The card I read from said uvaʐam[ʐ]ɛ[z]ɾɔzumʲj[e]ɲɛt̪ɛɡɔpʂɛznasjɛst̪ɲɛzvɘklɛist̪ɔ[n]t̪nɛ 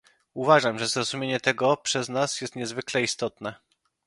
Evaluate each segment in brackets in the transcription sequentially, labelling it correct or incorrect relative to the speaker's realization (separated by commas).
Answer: correct, correct, correct, incorrect